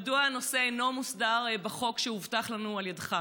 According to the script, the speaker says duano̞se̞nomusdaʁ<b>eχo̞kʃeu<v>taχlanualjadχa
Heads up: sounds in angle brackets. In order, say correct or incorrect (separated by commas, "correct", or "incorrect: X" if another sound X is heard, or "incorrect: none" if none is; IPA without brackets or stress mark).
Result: correct, correct